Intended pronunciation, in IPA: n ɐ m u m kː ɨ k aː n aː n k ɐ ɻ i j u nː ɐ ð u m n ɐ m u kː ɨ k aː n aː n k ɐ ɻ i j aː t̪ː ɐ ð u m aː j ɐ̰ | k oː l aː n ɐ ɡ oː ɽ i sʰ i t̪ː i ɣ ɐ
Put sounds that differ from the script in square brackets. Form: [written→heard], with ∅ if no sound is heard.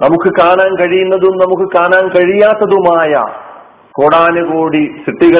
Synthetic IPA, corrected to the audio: n ɐ m u [m→∅] kː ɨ k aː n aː n k ɐ ɻ i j u nː ɐ ð u m n ɐ m u kː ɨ k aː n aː n k ɐ ɻ i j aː t̪ː ɐ ð u m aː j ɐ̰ | k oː [l→ɽ] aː n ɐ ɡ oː ɽ i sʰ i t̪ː i ɣ ɐ